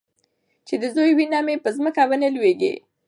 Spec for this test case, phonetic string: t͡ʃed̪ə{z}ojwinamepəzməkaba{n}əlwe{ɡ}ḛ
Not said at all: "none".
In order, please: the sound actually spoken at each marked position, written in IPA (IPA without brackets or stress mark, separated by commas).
z, n, ɡ